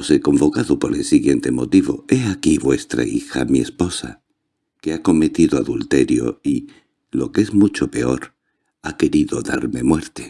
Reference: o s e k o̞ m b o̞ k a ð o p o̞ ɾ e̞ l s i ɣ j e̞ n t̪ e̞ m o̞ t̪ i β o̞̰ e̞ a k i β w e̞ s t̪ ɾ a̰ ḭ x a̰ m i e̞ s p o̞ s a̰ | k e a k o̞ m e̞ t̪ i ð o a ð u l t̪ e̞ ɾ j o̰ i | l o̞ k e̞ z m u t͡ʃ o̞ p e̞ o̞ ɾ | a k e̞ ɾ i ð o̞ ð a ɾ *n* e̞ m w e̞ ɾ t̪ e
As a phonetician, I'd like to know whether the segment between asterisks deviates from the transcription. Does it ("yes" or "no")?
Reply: yes